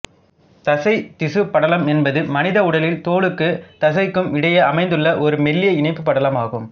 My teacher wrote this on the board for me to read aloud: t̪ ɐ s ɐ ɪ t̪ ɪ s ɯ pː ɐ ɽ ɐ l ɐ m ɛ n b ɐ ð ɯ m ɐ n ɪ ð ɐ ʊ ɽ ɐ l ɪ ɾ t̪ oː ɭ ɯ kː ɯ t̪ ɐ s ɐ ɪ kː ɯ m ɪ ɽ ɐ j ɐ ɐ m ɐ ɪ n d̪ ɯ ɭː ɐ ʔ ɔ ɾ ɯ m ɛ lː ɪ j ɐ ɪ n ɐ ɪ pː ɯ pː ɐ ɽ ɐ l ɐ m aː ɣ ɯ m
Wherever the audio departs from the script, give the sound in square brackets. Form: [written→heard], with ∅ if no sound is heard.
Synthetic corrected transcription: t̪ ɐ s ɐ ɪ t̪ ɪ s ɯ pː ɐ ɽ ɐ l ɐ m ɛ n b ɐ ð ɯ m ɐ n ɪ ð ɐ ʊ ɽ ɐ l ɪ [ɾ→l] t̪ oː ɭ ɯ kː ɯ t̪ ɐ s ɐ ɪ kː ɯ m ɪ ɽ ɐ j ɐ ɐ m ɐ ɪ n d̪ ɯ ɭː ɐ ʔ ɔ ɾ ɯ m ɛ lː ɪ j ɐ ɪ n ɐ ɪ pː ɯ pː ɐ ɽ ɐ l ɐ m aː ɣ ɯ m